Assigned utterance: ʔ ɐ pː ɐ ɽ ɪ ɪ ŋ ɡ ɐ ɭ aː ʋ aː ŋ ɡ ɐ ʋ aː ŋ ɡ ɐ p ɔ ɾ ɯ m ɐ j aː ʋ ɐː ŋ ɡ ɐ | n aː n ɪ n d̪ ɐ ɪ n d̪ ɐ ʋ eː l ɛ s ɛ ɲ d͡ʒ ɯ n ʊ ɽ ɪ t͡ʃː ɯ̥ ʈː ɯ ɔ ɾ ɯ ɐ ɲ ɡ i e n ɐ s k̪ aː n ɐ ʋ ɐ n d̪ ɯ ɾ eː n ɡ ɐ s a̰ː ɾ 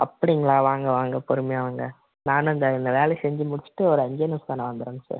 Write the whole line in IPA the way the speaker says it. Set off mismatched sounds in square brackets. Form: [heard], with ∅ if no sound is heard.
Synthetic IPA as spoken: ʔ ɐ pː ɐ ɽ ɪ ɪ ŋ ɡ ɐ ɭ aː ʋ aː ŋ ɡ ɐ ʋ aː ŋ ɡ ɐ p ɔ ɾ ɯ m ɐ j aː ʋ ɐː ŋ ɡ ɐ | n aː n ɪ n d̪ ɐ ɪ n d̪ ɐ ʋ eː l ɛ s ɛ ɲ d͡ʒ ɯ [m] ʊ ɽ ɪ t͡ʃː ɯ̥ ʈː ɯ ɔ ɾ ɯ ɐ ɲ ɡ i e n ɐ s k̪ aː n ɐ ʋ ɐ n d̪ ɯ ɾ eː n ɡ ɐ s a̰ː ɾ